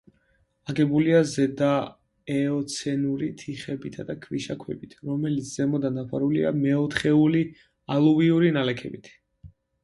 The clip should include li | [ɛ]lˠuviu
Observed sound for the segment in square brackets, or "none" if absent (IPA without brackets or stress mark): a